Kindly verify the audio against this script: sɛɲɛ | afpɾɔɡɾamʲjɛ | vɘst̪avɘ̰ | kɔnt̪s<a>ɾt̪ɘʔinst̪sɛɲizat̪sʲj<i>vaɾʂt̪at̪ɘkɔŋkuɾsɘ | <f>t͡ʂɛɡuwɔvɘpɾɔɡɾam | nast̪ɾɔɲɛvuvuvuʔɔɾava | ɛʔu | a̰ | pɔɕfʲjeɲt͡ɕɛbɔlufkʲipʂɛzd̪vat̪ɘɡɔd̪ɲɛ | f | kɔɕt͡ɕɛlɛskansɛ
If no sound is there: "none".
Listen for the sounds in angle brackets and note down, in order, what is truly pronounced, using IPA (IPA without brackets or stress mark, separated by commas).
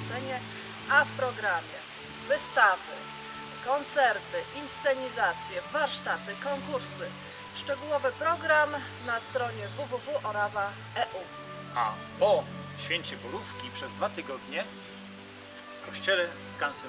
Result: ɛ, ɛ, ʂ